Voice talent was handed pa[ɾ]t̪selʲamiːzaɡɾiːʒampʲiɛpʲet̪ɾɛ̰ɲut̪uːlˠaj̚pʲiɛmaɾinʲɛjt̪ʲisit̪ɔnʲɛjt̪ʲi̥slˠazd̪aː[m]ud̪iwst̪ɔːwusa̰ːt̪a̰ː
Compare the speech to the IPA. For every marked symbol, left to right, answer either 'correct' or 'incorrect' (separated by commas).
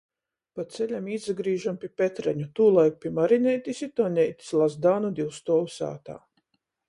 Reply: incorrect, incorrect